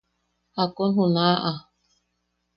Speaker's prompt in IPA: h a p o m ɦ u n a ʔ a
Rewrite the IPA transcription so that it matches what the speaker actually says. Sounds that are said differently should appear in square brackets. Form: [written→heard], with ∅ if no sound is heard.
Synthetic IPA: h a [p→k] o [m→n] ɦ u n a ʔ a

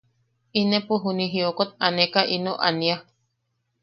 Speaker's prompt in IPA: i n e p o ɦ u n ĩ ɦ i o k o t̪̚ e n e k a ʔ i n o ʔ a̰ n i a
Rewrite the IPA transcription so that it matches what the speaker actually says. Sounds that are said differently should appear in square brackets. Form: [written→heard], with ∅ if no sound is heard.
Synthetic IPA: i n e p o ɦ u n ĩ ɦ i o k o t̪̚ [e→a] n e k a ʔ i n o ʔ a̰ n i a

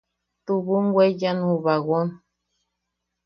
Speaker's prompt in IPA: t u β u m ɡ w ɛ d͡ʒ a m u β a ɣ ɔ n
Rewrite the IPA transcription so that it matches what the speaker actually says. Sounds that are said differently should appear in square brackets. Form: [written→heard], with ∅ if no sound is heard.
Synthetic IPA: t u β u [m→ŋ] ɡ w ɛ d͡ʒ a [m→n] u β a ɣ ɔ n

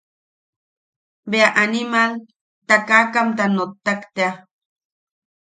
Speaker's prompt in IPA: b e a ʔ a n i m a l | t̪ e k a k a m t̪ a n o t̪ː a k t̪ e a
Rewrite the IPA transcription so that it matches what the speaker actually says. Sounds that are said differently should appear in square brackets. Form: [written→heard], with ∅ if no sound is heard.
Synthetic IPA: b e a ʔ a n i m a l | t̪ [e→a] k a k a m t̪ a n o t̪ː a k t̪ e a

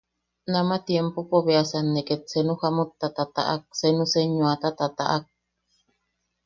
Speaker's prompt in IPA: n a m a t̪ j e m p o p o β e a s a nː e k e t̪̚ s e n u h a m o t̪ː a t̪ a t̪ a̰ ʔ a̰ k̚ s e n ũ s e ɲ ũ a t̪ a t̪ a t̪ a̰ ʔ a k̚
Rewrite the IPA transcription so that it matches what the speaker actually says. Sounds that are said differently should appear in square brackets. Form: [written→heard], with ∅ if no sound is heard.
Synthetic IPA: n a m a t̪ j e m p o p o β e a s a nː e k e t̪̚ s e n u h a m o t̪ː a t̪ a t̪ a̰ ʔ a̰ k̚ s e n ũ s e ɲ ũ a t̪ a t̪ a t̪ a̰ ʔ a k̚

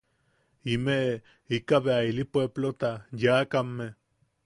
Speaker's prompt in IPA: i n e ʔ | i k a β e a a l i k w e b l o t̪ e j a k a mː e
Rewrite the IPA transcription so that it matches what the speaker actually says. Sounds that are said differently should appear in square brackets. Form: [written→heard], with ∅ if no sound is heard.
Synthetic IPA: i [n→m] e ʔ | i k a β e a [a→i] l i [k→p] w e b l o t̪ [e→a] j a k a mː e

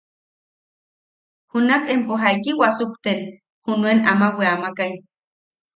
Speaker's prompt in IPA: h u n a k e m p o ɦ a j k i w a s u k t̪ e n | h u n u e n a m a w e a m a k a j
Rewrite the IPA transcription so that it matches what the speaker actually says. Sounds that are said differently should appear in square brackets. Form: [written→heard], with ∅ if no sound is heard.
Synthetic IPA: h u n a k e m p o ɦ a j k i w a s u k t̪ e n | h u n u e n a m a w e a m a k a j

